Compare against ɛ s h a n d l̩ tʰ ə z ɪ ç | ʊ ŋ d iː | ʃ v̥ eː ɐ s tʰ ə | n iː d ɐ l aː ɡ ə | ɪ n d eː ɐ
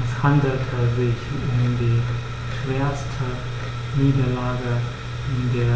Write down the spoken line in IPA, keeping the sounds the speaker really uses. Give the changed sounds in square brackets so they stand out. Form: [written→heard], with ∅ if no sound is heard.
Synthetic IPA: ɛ s h a n d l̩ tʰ ə z ɪ ç | ʊ [ŋ→m] d iː | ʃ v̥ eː ɐ s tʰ ə | n iː d ɐ l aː ɡ ə | ɪ n d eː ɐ